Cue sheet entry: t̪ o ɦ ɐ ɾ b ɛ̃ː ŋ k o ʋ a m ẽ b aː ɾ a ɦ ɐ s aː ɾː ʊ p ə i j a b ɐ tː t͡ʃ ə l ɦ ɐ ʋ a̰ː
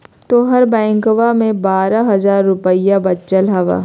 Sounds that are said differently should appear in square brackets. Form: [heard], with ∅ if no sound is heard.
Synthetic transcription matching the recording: t̪ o ɦ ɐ ɾ b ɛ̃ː ŋ k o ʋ a m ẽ b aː ɾ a ɦ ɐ [z] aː ɾː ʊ p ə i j a b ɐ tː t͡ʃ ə l ɦ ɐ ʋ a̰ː